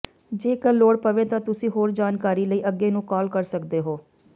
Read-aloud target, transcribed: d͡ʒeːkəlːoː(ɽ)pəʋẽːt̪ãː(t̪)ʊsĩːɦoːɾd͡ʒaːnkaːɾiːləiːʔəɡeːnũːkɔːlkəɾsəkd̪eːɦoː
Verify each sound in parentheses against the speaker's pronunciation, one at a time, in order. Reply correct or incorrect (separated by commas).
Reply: correct, correct